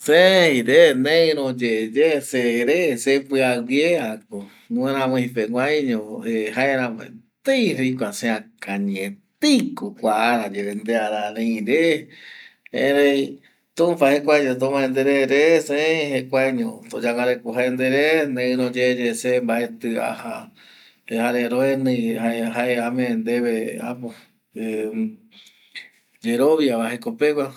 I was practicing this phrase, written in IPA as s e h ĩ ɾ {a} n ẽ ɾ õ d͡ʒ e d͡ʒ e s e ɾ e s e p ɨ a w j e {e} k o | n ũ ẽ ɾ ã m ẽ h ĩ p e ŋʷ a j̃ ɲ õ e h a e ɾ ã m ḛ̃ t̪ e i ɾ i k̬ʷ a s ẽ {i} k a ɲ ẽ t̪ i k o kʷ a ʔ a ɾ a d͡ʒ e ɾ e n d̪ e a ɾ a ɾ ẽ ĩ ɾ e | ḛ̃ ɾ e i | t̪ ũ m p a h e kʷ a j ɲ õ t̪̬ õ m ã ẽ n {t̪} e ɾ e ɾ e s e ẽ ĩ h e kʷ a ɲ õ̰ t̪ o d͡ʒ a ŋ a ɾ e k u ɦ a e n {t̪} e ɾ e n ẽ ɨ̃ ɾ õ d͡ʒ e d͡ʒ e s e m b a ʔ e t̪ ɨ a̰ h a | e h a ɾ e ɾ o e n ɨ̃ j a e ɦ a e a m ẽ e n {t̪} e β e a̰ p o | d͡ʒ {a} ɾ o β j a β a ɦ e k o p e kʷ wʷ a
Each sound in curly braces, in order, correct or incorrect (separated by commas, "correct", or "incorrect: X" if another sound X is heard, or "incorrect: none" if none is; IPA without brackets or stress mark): incorrect: e, incorrect: a, incorrect: a, incorrect: d̪, incorrect: d̪, incorrect: d̪, incorrect: e